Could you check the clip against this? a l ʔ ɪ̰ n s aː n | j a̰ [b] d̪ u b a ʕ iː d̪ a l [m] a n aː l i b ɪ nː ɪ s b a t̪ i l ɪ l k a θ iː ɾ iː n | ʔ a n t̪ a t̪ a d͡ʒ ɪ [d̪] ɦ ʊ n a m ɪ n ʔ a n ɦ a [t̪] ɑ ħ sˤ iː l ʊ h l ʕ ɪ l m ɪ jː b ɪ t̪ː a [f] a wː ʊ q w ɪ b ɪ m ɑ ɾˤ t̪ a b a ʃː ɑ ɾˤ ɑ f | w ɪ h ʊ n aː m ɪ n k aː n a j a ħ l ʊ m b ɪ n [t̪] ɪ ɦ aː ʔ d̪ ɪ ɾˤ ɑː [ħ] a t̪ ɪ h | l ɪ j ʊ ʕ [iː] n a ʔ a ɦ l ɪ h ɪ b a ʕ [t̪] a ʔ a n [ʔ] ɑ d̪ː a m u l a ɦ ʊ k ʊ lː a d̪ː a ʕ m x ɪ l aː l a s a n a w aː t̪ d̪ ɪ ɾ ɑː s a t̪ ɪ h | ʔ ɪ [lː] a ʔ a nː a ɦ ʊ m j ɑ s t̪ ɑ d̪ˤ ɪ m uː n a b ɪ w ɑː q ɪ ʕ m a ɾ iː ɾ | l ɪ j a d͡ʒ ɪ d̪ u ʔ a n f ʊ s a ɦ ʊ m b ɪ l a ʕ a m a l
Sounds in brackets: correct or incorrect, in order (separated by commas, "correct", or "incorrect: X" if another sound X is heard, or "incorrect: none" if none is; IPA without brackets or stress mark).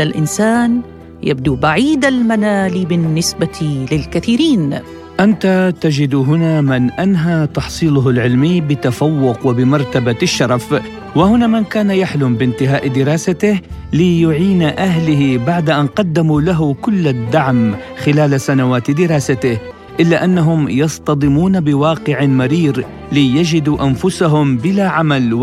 correct, correct, correct, correct, correct, correct, incorrect: s, correct, incorrect: d̪, incorrect: q, correct